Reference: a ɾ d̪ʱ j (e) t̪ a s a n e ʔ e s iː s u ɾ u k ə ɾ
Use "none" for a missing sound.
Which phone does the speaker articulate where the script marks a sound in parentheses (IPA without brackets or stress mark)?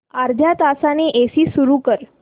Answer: a